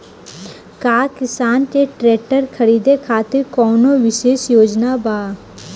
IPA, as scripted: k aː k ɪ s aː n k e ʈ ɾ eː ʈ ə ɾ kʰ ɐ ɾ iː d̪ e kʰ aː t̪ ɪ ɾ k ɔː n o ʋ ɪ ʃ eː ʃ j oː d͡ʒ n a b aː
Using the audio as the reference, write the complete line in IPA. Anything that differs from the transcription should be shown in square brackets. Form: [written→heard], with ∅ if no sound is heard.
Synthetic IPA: k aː k ɪ s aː n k e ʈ ɾ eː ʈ ə ɾ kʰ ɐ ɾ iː d̪ e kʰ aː t̪ ɪ ɾ k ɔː n o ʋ ɪ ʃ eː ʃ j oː d͡ʒ n a b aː